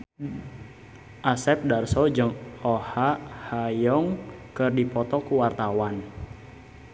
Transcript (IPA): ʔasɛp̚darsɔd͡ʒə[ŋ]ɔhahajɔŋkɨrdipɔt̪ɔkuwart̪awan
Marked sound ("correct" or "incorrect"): correct